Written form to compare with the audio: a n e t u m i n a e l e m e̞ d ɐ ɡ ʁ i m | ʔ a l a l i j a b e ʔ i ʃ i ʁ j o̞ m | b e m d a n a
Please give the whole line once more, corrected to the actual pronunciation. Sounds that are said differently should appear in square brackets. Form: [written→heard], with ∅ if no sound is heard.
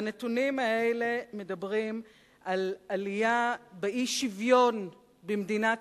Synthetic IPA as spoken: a n e t u [m→n] i [n→m] a e l e m e̞ d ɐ [ɡ→b] ʁ i m | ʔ a l a l i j a b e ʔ i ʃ i [ʁ→v] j o̞ [m→n] | b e m d [a→i] n a